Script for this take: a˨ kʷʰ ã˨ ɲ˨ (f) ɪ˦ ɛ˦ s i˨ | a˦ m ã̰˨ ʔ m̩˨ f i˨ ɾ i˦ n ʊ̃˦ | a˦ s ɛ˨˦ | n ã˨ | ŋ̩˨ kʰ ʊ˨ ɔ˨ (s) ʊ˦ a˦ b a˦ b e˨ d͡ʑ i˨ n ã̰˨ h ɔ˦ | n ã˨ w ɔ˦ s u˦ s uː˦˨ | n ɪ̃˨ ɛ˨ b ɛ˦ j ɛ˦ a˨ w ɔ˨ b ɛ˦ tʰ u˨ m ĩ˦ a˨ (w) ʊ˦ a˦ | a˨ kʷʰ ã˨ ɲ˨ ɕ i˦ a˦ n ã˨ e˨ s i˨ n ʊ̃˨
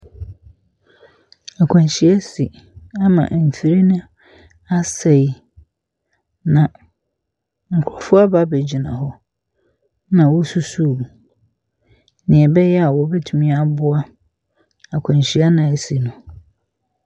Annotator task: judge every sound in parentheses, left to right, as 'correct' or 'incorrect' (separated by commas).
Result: incorrect, incorrect, incorrect